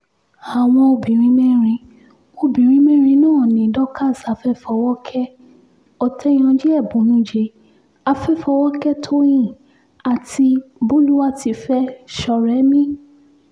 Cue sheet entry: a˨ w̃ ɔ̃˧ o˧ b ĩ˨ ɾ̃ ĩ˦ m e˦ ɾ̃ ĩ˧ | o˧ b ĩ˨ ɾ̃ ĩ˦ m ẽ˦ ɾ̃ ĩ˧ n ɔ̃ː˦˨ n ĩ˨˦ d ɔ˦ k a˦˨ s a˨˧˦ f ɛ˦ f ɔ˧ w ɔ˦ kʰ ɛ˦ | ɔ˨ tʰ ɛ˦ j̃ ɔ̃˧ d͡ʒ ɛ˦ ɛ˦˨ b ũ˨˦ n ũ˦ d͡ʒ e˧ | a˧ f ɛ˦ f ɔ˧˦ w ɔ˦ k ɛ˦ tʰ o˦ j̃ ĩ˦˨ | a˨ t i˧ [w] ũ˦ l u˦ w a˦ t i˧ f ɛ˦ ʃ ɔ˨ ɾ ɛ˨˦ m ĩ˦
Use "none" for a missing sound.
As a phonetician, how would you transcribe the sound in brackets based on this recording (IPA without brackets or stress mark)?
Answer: b